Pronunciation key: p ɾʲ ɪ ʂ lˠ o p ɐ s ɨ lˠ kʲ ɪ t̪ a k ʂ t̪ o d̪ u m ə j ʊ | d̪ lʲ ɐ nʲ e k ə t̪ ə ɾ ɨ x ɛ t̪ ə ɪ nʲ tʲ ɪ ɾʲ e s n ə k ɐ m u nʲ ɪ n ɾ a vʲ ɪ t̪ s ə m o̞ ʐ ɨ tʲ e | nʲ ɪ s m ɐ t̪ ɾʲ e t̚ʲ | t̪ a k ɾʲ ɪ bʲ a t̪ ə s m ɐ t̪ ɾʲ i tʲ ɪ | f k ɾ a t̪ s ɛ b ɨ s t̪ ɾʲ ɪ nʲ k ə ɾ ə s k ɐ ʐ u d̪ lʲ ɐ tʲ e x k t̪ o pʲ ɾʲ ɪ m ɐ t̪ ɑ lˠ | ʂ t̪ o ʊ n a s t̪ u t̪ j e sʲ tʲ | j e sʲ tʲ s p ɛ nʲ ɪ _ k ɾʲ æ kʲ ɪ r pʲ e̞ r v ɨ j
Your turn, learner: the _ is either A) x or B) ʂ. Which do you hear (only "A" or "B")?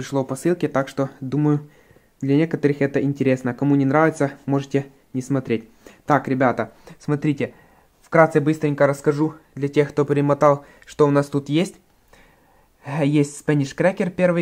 B